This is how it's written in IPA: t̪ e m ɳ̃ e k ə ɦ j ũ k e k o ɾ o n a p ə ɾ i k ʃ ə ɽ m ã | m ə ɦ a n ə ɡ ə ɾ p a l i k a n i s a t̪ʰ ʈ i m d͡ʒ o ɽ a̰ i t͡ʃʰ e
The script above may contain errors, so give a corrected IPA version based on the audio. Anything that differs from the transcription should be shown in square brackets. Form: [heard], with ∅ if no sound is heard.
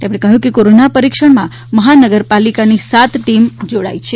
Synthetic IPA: t̪ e m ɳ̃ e k ə ɦ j ũ k e k o ɾ o n a p ə ɾ i k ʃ ə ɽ m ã | m ə ɦ a n ə ɡ ə ɾ p a l i k a n i s a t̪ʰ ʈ i m d͡ʒ o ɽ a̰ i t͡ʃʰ e